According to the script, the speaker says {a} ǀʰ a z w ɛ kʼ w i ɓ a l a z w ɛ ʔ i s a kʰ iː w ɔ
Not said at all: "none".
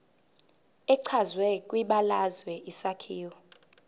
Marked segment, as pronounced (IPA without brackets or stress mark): ɛ